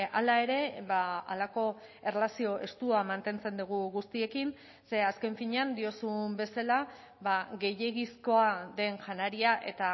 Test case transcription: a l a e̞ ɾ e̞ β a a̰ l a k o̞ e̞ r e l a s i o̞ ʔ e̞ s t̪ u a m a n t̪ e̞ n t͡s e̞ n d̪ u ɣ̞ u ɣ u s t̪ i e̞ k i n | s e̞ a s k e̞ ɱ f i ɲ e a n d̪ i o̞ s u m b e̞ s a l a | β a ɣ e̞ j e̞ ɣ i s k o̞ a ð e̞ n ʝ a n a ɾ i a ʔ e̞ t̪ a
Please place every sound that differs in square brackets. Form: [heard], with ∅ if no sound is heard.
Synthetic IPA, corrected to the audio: a l a e̞ ɾ e̞ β a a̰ l a k o̞ e̞ r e l a s i o̞ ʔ e̞ s t̪ u a m a n t̪ e̞ n t͡s e̞ n d̪ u ɣ̞ u ɣ u s t̪ i e̞ k i n | s e̞ a s k e̞ ɱ f i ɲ e a n d̪ i o̞ s u m b e̞ s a l a | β a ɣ e̞ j e̞ ɣ i s k o̞ a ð e̞ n ʝ a n a ɾ i a ʔ e̞ t̪ a